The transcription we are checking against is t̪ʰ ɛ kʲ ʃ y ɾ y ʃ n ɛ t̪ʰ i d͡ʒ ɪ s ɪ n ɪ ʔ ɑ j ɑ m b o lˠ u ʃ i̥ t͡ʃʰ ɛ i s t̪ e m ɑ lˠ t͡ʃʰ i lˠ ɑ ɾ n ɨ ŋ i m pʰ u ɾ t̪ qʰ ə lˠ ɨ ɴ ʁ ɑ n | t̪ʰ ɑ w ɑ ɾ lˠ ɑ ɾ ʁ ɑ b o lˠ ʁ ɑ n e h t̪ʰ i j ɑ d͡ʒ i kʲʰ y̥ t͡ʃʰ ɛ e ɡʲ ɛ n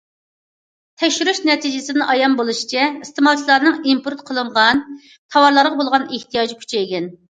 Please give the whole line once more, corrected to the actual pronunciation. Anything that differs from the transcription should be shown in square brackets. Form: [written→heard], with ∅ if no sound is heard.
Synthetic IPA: t̪ʰ ɛ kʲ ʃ y ɾ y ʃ n ɛ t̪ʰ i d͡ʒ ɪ s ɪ n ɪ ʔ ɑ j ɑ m b o lˠ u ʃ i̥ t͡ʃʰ ɛ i s t̪ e m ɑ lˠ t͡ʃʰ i lˠ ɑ ɾ n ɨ ŋ i m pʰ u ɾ t̪ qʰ ə lˠ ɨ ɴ ʁ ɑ n | t̪ʰ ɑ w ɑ ɾ lˠ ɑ ɾ ʁ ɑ b o lˠ ʁ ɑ n e h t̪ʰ i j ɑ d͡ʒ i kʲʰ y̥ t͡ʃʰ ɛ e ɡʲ ɛ n